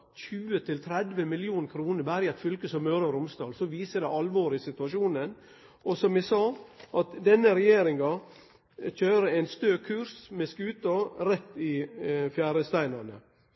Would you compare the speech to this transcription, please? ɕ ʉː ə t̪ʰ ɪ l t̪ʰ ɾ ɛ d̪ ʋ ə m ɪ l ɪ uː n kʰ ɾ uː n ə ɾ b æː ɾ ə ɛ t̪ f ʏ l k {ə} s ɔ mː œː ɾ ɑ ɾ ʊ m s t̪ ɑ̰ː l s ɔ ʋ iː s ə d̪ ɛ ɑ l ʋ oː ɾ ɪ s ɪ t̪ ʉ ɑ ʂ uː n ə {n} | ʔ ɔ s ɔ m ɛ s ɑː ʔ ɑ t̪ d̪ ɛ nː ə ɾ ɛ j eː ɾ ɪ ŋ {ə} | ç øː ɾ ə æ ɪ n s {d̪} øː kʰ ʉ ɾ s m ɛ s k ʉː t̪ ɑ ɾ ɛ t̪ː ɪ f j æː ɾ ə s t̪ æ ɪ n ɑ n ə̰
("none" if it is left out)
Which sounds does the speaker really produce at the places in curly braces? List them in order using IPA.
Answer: ə, n, ɑ, t̪

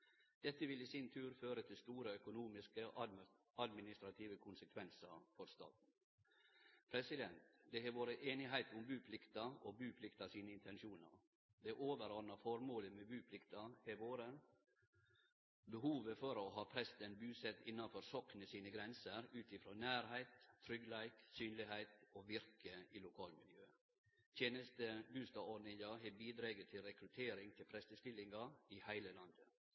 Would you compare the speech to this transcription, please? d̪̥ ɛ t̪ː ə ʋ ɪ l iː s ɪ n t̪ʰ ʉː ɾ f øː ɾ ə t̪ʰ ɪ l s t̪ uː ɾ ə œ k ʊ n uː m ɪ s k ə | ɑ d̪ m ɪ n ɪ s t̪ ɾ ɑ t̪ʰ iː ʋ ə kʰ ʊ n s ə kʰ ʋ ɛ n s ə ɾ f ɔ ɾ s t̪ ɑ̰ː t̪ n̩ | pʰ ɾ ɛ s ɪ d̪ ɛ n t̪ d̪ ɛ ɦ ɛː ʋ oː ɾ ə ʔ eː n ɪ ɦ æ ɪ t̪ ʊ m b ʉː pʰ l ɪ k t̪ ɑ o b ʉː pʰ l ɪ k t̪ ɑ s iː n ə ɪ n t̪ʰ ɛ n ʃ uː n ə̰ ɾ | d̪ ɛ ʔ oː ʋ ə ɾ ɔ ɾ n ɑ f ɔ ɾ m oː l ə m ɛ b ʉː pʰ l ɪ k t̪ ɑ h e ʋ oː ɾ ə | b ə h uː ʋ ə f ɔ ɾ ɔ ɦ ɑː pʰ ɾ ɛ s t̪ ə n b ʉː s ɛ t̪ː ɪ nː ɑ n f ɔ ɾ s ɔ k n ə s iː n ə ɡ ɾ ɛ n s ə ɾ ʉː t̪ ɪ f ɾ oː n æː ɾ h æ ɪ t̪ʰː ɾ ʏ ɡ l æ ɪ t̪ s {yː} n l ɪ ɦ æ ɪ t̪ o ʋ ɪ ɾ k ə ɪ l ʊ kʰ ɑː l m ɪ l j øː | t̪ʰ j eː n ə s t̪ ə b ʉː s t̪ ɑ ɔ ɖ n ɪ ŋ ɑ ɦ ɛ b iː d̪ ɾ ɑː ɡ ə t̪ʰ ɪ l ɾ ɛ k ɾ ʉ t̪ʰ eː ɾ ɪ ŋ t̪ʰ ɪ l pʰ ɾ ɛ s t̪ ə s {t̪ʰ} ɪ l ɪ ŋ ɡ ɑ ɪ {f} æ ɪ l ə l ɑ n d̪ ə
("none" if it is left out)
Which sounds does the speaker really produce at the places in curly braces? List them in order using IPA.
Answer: yː, t̪, h

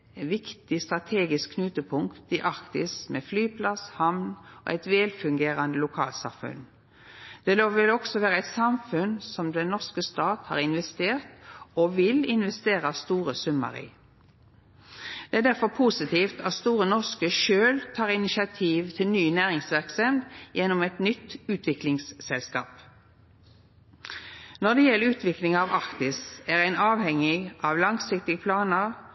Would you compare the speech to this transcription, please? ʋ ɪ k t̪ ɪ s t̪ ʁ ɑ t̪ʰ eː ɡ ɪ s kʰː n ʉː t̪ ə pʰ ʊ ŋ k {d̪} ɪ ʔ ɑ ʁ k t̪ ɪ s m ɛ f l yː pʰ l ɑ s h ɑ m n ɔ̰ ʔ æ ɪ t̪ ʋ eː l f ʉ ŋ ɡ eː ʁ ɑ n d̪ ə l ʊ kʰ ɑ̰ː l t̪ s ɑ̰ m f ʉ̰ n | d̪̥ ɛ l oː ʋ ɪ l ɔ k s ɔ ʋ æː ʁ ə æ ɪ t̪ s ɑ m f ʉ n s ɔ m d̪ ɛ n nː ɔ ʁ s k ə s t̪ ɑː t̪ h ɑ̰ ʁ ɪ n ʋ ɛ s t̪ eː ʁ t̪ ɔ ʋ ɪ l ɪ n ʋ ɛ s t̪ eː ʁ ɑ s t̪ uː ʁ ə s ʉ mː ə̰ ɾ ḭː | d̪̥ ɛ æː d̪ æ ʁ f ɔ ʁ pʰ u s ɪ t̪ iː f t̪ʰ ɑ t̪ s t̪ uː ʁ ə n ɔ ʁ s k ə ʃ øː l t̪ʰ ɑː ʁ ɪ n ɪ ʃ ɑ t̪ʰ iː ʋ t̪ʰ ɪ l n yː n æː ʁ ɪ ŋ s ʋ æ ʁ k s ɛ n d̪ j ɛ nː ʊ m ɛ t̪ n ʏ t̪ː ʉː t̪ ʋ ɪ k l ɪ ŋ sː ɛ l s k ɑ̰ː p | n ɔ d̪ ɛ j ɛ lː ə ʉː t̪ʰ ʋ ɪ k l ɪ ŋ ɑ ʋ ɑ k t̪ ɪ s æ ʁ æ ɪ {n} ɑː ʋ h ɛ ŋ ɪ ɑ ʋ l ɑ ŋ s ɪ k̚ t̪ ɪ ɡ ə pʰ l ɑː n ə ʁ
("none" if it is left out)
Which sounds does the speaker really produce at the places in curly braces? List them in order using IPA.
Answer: t̪, n

